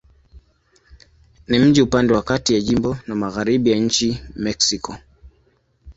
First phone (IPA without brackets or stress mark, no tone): n